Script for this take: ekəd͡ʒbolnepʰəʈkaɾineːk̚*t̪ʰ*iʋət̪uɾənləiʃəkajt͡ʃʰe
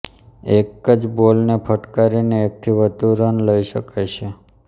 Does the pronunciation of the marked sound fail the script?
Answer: no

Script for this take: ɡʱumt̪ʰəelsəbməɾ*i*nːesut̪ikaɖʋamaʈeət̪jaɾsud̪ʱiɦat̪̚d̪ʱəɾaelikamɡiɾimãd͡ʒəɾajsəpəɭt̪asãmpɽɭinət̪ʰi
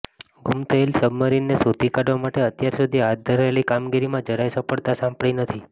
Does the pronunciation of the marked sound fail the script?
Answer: no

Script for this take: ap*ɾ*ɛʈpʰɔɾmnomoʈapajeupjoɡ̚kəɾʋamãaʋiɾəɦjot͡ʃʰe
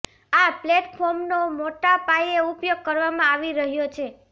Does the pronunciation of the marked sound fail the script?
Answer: yes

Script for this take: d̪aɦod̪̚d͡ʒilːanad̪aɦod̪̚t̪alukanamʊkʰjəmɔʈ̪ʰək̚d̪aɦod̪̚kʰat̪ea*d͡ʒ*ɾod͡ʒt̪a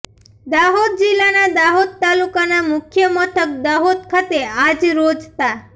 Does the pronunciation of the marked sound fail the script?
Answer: no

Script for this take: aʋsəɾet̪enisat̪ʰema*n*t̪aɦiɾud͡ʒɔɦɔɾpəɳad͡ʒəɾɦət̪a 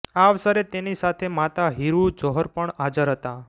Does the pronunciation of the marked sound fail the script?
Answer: yes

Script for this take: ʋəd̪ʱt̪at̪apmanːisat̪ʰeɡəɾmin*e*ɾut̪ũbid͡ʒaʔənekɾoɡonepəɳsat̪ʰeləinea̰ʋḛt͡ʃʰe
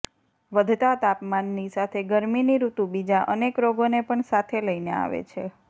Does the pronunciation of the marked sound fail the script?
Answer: yes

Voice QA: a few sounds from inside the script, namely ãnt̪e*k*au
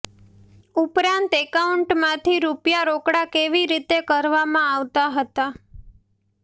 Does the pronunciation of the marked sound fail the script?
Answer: no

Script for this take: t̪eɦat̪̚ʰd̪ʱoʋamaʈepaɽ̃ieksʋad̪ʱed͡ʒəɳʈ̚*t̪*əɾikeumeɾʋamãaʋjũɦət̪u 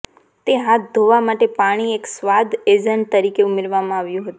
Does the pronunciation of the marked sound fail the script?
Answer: no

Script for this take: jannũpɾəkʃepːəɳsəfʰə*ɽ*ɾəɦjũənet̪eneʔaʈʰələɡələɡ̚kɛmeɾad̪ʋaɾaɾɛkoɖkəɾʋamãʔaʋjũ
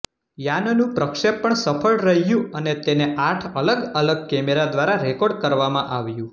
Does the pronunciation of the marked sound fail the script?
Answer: yes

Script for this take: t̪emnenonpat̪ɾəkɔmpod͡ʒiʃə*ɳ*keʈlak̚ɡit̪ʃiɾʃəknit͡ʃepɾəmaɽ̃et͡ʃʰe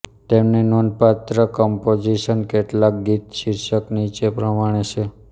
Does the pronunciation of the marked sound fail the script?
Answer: yes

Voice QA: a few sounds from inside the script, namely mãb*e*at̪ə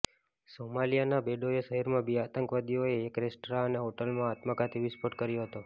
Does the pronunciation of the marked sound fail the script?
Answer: yes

